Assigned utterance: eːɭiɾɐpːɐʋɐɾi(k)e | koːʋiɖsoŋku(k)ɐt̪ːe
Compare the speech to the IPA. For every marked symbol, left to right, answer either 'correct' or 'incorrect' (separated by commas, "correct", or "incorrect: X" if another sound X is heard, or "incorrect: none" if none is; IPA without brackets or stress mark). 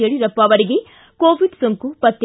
incorrect: ɡ, incorrect: p